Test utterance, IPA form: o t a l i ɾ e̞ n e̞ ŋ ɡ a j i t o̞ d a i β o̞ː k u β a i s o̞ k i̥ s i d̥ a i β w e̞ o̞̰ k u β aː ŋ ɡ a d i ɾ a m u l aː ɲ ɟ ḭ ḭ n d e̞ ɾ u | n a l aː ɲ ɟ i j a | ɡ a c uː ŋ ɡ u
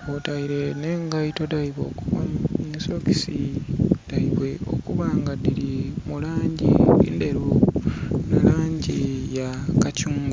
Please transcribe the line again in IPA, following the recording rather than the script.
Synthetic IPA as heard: o t a i ɾ e̞ n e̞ ŋ ɡ a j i t o̞ d a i β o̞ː k u β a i s o̞ k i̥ s i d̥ a i β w e̞ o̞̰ k u β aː ŋ ɡ a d i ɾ i m u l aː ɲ ɟ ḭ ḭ n d e̞ ɾ u | n a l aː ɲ ɟ i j a | k a c uː ŋ ɡ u